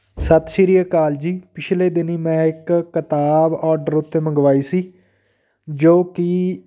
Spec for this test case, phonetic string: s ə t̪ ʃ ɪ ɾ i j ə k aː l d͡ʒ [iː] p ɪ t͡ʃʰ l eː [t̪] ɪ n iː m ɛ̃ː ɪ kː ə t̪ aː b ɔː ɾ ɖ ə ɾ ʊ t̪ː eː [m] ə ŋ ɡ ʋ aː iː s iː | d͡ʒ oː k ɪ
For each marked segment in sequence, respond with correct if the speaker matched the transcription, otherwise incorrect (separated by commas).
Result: correct, incorrect, correct